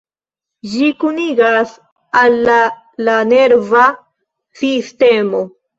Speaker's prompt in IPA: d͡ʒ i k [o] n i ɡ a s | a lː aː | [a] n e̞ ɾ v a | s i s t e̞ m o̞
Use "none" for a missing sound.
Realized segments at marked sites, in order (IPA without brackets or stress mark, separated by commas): u, a